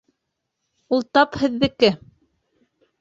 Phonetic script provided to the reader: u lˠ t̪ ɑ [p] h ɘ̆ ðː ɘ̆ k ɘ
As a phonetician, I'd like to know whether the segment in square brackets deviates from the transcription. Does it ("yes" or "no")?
no